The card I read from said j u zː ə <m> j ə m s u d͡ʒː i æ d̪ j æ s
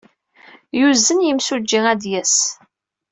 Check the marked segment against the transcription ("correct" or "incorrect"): incorrect